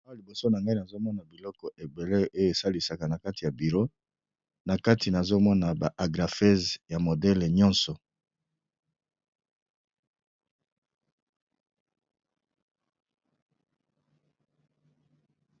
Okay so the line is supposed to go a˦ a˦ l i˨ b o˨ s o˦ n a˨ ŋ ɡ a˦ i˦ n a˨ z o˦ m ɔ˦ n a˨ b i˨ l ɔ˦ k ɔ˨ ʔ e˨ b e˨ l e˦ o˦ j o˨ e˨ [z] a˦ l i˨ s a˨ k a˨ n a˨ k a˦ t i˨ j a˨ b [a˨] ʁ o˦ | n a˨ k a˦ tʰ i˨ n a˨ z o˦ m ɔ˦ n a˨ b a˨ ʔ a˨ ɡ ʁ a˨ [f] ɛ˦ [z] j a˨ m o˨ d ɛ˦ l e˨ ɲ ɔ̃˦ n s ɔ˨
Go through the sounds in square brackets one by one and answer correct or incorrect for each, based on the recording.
incorrect, incorrect, correct, correct

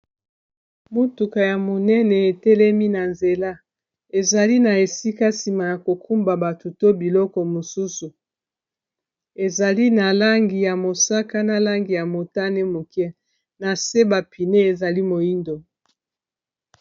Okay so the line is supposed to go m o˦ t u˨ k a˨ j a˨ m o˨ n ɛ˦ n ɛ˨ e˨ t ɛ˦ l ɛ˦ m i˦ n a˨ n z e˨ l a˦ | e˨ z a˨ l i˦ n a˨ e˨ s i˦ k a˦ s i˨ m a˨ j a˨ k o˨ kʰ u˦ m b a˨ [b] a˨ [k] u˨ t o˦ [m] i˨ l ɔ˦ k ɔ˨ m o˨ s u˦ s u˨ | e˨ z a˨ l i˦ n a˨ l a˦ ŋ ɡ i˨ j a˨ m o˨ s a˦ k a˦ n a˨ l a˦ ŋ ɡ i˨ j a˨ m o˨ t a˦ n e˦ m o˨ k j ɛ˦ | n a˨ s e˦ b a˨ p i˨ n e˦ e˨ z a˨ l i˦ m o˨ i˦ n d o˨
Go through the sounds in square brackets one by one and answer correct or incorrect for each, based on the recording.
correct, incorrect, incorrect

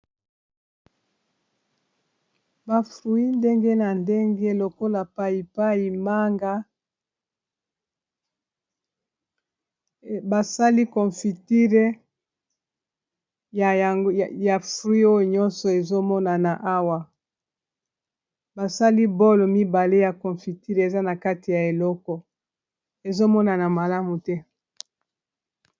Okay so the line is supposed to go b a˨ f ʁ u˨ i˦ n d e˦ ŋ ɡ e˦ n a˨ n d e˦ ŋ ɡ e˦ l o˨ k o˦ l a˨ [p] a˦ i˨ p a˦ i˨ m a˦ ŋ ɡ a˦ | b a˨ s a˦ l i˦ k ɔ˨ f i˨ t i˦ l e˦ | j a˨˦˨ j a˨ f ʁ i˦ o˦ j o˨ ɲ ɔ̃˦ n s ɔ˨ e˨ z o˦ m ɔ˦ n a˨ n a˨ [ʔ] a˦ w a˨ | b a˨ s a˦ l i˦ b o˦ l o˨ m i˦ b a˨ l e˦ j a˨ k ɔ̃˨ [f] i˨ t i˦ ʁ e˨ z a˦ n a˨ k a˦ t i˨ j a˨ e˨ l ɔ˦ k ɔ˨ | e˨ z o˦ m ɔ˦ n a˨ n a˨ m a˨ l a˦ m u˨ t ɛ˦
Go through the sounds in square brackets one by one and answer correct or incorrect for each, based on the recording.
correct, correct, correct

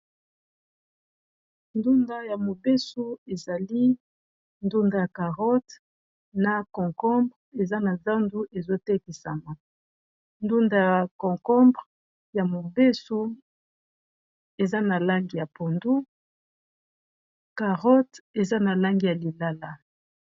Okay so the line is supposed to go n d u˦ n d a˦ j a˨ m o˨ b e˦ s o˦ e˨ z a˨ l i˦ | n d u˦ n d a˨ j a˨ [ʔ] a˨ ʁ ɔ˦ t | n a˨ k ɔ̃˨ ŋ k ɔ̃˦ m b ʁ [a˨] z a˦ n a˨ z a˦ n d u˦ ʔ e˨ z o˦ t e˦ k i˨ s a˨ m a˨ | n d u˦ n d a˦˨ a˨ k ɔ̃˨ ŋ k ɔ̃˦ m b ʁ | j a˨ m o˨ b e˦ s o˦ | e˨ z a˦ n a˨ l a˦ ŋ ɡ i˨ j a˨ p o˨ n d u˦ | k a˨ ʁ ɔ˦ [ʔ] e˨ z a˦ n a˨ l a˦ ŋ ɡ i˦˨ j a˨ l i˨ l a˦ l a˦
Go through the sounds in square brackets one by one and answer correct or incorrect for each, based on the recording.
incorrect, incorrect, incorrect

